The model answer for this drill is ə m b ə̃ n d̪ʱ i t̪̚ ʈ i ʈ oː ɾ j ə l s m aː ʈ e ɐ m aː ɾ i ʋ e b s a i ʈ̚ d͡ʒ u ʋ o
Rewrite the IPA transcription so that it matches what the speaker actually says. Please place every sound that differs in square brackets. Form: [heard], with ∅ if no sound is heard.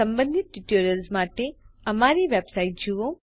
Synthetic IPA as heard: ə m b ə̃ n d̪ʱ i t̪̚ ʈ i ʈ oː ɾ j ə l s m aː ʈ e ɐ m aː ɾ i ʋ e b s a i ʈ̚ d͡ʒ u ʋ o